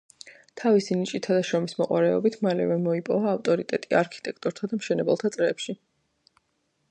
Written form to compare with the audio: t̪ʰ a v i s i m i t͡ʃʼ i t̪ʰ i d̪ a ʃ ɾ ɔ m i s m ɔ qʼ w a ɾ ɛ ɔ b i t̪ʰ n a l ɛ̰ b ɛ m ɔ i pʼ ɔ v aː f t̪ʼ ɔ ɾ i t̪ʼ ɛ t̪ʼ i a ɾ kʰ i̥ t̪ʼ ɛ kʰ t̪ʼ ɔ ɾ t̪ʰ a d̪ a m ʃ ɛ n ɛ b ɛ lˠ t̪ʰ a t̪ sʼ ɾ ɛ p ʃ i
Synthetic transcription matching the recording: t̪ʰ a v i s i n i t͡ʃʼ i t̪ʰ a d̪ a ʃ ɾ ɔ m i s m ɔ qʼ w a ɾ ɛ ɔ b i t̪ʰ m a l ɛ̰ v ɛ m ɔ i pʼ ɔ v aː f t̪ʼ ɔ ɾ i t̪ʼ ɛ t̪ʼ i a ɾ kʰ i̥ t̪ʼ ɛ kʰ t̪ʼ ɔ ɾ t̪ʰ a d̪ a m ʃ ɛ n ɛ b ɛ lˠ t̪ʰ a t̪ sʼ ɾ ɛ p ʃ i